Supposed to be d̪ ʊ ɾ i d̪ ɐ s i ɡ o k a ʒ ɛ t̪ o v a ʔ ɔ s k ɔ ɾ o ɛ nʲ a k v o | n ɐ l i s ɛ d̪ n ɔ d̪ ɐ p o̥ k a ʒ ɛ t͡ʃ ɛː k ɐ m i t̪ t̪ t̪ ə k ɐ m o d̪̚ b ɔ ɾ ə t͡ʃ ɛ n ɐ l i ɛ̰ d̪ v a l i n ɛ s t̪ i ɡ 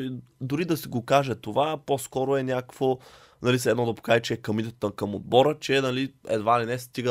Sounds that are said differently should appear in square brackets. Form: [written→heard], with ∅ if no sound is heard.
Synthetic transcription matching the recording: d̪ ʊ ɾ i d̪ ɐ s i ɡ o k a ʒ ɛ t̪ o v a [ʔ→p] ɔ s k ɔ ɾ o ɛ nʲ a k v o | n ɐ l i s ɛ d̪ n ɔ d̪ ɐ p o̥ k a ʒ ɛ t͡ʃ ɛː k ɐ m i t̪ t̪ t̪ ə k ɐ m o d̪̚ b ɔ ɾ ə t͡ʃ ɛ n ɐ l i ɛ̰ d̪ v a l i n ɛ s t̪ i ɡ